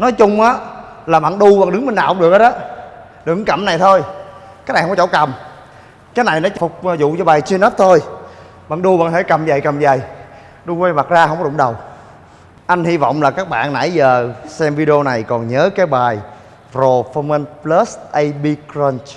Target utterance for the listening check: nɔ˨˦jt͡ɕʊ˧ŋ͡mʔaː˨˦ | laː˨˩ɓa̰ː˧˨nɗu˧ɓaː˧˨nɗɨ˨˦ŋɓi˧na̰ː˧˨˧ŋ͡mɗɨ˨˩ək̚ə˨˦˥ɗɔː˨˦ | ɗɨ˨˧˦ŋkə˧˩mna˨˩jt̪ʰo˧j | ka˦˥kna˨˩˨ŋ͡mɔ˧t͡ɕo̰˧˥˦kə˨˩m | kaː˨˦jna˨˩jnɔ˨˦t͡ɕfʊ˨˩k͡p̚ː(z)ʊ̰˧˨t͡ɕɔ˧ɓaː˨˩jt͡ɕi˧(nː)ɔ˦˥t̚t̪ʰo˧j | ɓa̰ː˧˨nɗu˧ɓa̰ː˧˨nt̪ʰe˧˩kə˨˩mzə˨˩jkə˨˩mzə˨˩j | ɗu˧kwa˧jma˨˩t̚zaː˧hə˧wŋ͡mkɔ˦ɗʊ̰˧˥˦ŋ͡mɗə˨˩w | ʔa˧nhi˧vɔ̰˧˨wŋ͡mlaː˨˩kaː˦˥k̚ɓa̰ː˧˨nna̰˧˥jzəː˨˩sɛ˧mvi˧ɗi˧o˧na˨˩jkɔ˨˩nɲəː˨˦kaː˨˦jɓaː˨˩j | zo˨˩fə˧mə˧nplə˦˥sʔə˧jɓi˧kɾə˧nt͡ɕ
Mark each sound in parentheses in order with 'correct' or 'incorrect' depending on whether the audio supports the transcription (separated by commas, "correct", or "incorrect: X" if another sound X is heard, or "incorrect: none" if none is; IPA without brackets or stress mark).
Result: correct, incorrect: n